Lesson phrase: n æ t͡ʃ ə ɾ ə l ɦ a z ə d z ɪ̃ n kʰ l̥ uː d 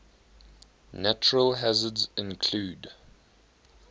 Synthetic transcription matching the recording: n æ t͡ʃ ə ɹ ə l ɦ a z ə d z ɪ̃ n kʰ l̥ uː d